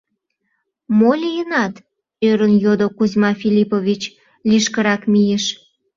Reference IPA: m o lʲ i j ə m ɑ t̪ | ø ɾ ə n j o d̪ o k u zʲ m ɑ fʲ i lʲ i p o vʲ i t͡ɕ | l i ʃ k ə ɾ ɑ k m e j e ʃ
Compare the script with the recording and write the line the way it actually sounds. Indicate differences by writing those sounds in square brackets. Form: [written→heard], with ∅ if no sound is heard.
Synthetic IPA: m o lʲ i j ə [m→n] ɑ t̪ | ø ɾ ə n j o d̪ o k u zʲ m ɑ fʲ i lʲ i p o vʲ i t͡ɕ | l i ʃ k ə ɾ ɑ k m [e→i] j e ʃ

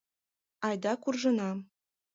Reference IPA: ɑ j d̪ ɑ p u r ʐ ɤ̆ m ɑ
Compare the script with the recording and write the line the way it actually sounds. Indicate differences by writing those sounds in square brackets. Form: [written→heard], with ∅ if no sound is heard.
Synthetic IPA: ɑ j d̪ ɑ [p→k] u r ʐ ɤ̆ [m→n] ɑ

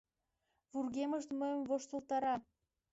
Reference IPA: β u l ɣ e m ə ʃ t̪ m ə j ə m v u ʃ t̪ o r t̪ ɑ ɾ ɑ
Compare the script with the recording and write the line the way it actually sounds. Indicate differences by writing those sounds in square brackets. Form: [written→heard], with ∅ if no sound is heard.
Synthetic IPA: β u [l→r] ɣ e m ə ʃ t̪ m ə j ə m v [u→o] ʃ t̪ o [r→l] t̪ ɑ ɾ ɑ

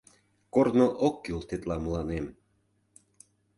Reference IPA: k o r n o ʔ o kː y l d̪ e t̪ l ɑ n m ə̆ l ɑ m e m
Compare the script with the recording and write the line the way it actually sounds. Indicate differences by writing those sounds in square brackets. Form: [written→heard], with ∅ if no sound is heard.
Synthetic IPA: k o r n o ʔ o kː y l [d̪→t̪] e t̪ l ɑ [n→∅] m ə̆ l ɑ [m→n] e m

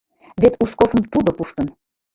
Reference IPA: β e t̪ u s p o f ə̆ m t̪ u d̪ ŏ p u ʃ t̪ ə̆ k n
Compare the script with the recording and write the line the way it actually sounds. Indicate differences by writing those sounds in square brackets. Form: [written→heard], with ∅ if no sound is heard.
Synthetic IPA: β e t̪ u s [p→k] o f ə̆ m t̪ u d̪ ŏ p u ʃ t̪ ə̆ [k→∅] n

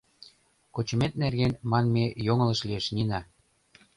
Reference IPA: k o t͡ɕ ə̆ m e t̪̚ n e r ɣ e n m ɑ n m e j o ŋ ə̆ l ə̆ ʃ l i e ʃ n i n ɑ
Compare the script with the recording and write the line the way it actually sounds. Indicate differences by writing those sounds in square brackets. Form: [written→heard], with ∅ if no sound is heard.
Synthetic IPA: k o t͡ɕ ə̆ m e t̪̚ n e r ɣ e n m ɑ n m e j o ŋ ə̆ l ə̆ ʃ l i e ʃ n i n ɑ

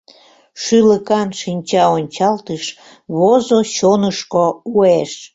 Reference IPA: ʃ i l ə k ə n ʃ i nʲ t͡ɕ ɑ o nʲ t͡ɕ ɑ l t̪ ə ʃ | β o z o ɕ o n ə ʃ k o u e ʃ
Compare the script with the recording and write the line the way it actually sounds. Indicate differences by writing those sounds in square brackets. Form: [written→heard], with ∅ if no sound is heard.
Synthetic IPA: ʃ [i→y] l ə k [ə→ɑ] n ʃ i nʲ t͡ɕ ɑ o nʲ t͡ɕ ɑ l t̪ ə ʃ | β o z o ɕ o n ə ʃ k o u e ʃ

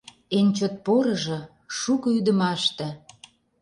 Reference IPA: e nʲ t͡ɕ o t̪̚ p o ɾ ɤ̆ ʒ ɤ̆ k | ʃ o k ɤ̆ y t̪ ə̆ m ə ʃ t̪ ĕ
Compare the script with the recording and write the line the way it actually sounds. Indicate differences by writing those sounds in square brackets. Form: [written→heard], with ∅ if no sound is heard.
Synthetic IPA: e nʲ t͡ɕ o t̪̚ p o ɾ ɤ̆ ʒ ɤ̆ [k→∅] | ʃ [o→u] k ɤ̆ y [t̪→d̪] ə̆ m [ə→ɑ] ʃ t̪ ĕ

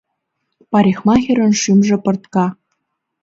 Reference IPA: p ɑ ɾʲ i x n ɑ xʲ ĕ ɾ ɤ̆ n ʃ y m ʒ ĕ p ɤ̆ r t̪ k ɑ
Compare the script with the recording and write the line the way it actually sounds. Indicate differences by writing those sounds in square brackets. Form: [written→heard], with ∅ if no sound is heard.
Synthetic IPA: p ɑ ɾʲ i x [n→m] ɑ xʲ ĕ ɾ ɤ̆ n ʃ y m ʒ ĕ p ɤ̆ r t̪ k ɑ

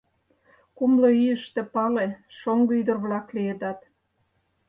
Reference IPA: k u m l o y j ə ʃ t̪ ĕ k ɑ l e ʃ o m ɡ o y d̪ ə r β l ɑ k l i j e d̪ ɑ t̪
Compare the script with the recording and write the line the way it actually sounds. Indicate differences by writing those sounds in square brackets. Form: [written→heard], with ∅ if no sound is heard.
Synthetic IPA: k u m l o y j ə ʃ t̪ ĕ [k→p] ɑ l e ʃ o [m→ŋ] ɡ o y d̪ ə r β l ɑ k l i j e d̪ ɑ t̪

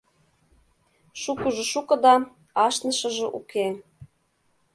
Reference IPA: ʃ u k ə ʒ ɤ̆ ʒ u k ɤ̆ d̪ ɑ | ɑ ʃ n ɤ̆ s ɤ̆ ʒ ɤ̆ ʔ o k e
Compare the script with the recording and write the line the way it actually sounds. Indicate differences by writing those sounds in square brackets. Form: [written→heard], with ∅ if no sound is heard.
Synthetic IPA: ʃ u k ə ʒ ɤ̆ [ʒ→ʃ] u k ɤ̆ d̪ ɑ | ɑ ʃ n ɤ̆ [s→ʃ] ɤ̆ ʒ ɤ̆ ʔ [o→u] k e

